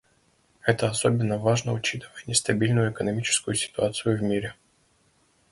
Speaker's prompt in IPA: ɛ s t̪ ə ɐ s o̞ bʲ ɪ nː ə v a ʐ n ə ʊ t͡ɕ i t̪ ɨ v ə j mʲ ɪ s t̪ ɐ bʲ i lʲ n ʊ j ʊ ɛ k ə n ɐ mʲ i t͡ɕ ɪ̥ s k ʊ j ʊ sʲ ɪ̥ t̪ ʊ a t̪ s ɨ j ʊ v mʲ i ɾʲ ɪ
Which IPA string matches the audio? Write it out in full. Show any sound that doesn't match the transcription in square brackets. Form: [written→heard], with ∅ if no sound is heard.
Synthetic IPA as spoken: ɛ [s→∅] t̪ ə ɐ s o̞ bʲ ɪ nː ə v a ʐ n ə ʊ t͡ɕ i t̪ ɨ v ə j [mʲ→nʲ] ɪ s t̪ ɐ bʲ i lʲ n ʊ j ʊ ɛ k ə n ɐ mʲ i t͡ɕ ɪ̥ s k ʊ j ʊ sʲ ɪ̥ t̪ ʊ a t̪ s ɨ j ʊ v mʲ i ɾʲ ɪ